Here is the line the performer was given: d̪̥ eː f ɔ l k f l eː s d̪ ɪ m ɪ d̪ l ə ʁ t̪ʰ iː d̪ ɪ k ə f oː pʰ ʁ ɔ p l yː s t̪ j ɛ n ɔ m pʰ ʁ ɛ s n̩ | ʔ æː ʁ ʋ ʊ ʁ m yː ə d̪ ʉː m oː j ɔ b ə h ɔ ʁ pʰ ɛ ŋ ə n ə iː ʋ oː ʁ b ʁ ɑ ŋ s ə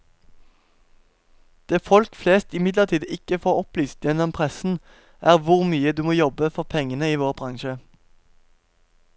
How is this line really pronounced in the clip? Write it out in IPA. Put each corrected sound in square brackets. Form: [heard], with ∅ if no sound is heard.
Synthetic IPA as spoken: d̪̥ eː f ɔ l k f l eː s [t̪] ɪ m ɪ d̪ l ə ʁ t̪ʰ iː d̪ ɪ k ə f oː [∅] ʁ ɔ p l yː s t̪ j ɛ n ɔ m pʰ ʁ ɛ s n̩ | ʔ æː ʁ ʋ ʊ ʁ m yː ə d̪ ʉː m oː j ɔ b ə [f] ɔ ʁ pʰ ɛ ŋ ə n ə iː ʋ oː ʁ b ʁ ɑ ŋ [ʃ] ə